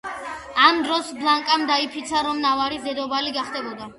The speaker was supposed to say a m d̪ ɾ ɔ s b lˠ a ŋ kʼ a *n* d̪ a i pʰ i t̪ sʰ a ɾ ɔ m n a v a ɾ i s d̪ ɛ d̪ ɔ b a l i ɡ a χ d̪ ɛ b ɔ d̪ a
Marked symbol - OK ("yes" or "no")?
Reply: no